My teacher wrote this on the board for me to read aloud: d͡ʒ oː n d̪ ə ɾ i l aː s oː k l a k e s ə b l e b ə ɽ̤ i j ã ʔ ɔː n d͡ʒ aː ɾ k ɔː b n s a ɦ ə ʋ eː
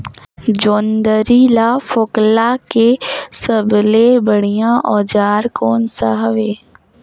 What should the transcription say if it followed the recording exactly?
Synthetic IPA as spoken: d͡ʒ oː n d̪ ə ɾ i l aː f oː k l a k e s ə b l e b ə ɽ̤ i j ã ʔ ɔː d͡ʒ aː ɾ k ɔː n s a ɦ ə ʋ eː